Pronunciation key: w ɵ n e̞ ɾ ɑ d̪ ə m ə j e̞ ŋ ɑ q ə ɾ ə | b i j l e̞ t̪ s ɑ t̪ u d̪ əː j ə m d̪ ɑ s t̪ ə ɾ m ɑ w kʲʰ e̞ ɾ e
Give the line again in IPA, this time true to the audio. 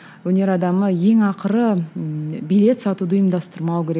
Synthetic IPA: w ɵ n e̞ ɾ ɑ d̪ ɑ m ə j e̞ ŋ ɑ q ə ɾ ə | b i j l e̞ t̪ s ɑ t̪ u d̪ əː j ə m d̪ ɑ s t̪ ə ɾ m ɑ w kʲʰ e̞ ɾ e

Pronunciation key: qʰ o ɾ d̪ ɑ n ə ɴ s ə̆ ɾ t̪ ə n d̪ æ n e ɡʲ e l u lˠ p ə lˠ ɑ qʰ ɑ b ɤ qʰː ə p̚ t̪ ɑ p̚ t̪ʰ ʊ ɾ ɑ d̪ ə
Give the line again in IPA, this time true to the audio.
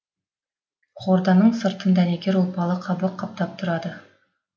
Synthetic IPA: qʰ o ɾ d̪ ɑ n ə ɴ s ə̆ ɾ t̪ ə n d̪ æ n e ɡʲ e ɾ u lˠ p ɑ lˠ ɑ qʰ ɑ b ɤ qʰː ɑ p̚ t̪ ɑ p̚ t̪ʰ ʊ ɾ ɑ d̪ ə

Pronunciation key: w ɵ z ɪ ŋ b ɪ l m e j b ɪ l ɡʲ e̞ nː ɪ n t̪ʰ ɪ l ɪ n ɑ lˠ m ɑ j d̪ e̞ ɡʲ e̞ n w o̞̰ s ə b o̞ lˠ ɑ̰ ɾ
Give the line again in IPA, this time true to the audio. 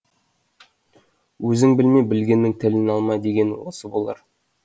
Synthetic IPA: w ɵ z ɪ ŋ b ɪ l m e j b ɪ l ɡʲ e̞ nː ɪ ŋ t̪ʰ ɪ l ɪ n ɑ lˠ m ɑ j d̪ e̞ ɡʲ e̞ n w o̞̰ s ə b o̞ lˠ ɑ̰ ɾ

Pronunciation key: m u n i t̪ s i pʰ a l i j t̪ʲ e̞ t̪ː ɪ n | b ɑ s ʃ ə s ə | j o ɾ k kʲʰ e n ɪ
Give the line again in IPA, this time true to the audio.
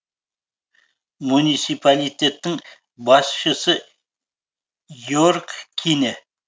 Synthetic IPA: m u n i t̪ s i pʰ a l i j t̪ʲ e̞ t̪ː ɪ ŋ | b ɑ s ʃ ə s ə | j o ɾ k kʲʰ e n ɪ

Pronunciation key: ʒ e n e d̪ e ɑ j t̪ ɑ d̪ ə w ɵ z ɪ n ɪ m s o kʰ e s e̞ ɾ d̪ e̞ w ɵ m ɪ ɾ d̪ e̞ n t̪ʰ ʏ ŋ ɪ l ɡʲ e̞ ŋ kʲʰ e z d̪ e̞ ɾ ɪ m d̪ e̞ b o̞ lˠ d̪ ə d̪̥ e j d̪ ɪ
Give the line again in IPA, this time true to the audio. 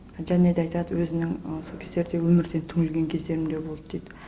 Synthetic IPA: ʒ æ n e d̪ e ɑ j t̪ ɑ d̪ ə w ɵ z ɪ n ɪ ŋ s o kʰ e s e̞ ɾ d̪ e̞ w ɵ m ɪ ɾ d̪ e̞ n t̪ʰ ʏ ŋ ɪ l ɡʲ e̞ ŋ kʲʰ e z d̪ e̞ ɾ ɪ m d̪ e̞ b o̞ lˠ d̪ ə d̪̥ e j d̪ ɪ

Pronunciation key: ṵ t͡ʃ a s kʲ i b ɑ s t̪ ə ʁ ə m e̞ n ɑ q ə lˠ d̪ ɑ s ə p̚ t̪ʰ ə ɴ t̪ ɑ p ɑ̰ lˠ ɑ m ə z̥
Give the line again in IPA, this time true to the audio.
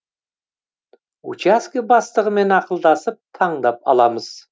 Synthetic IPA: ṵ t͡ʃ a s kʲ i b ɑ s t̪ ə ʁ ə m e̞ n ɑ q ə lˠ d̪ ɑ s ə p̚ t̪ʰ ɑ ɴ d̪ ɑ p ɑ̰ lˠ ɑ m ə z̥

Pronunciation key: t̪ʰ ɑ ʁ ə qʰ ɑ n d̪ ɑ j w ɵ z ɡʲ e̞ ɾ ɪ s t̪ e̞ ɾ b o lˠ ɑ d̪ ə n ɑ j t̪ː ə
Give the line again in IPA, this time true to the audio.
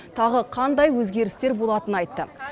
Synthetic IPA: t̪ʰ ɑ ʁ ə qʰ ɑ n d̪ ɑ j w ɵ z ɡʲ e̞ ɾ ɪ s t̪ e̞ ɾ b o lˠ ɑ t̪ ə n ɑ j t̪ː ə

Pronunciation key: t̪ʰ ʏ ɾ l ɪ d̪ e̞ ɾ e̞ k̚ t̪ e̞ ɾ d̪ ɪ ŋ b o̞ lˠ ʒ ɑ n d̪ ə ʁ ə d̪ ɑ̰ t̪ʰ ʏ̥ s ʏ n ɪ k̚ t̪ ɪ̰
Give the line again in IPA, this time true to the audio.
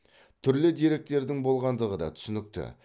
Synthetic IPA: t̪ʰ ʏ ɾ l ɪ d̪ e̞ ɾ e̞ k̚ t̪ e̞ ɾ d̪ ɪ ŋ b o̞ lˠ ʁ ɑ n d̪ ə ʁ ə d̪ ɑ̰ t̪ʰ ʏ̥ s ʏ n ɪ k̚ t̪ ɪ̰

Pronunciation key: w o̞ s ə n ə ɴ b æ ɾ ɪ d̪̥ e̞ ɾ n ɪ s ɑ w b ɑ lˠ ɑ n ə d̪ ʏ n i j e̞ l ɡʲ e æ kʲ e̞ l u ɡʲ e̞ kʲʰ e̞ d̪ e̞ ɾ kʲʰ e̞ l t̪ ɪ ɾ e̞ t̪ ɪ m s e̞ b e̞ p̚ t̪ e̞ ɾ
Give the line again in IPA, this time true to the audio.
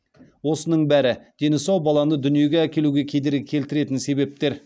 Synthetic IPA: w o̞ s ə n ə ɴ b æ ɾ ɪ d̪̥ e̞ n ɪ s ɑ w b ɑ lˠ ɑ n ə d̪ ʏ n i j e̞ ɡʲ e æ kʲ e̞ l u ɡʲ e̞ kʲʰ e̞ d̪ e̞ ɾ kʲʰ e̞ l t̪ ɪ ɾ e̞ t̪ ɪ n s e̞ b e̞ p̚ t̪ e̞ ɾ

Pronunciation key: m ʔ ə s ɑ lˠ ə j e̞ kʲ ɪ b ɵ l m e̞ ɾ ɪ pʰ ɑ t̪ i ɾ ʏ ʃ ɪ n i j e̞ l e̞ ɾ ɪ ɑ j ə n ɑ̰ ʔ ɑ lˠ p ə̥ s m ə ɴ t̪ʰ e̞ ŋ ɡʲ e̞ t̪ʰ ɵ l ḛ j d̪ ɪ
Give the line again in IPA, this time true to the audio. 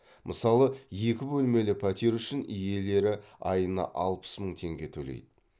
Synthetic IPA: m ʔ ə s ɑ lˠ ə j e̞ kʲ ɪ b ɵ l m e̞ l ɪ pʰ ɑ t̪ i ɾ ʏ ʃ ɪ n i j e̞ l e̞ ɾ ɪ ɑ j ə n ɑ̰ ʔ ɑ lˠ p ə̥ s m ə ɴ t̪ʰ e̞ ŋ ɡʲ e̞ t̪ʰ ɵ l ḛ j d̪ ɪ

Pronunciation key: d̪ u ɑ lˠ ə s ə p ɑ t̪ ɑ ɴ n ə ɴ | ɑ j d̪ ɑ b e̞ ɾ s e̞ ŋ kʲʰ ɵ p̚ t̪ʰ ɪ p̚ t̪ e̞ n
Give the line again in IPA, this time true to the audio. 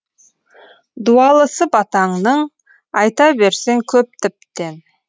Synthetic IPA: d̪ u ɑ lˠ ə s ə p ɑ t̪ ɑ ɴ n ə ɴ | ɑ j t̪ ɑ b e̞ ɾ s e̞ ŋ kʲʰ ɵ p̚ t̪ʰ ɪ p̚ t̪ e̞ n

